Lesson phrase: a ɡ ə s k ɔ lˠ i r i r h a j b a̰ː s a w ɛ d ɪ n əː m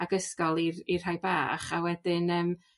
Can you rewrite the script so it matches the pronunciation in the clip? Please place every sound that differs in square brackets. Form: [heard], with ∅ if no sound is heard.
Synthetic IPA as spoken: a ɡ ə s k ɔ lˠ i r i r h a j b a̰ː [χ] a w ɛ d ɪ n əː m